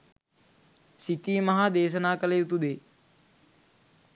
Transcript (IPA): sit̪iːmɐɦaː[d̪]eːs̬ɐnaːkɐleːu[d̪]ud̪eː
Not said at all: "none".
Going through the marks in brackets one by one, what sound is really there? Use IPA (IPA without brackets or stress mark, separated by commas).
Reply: d̪, t̪